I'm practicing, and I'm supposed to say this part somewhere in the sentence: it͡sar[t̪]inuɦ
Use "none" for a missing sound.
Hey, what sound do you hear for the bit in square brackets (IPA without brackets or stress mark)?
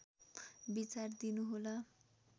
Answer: d̪